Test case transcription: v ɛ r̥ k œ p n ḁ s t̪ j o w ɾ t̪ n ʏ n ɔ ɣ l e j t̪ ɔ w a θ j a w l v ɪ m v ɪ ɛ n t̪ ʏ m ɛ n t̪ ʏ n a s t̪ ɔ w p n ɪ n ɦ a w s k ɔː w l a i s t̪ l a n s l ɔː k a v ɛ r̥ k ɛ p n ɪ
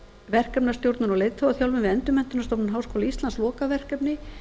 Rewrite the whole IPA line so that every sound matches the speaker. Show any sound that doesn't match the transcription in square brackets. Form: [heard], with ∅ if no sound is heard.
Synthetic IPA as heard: v ɛ r̥ k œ p n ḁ s t̪ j o w ɾ t̪ n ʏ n ɔ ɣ l e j t̪ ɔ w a θ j a w l v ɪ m v ɪ ɛ n t̪ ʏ m ɛ n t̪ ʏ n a s t̪ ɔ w p n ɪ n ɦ a w s k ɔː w l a i s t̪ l a n s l ɔː k a v ɛ r̥ k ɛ p n ɪ